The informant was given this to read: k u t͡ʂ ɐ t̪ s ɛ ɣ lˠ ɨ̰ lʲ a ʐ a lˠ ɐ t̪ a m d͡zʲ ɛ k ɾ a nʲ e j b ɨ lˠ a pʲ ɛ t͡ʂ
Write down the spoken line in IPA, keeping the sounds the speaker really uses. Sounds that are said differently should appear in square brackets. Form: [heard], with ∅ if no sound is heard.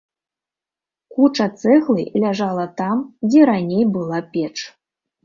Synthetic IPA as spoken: k u t͡ʂ ɐ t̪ s ɛ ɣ lˠ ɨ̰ lʲ a ʐ a lˠ ɐ t̪ a m d͡zʲ ɛ [∅] ɾ a nʲ e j b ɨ lˠ a pʲ ɛ t͡ʂ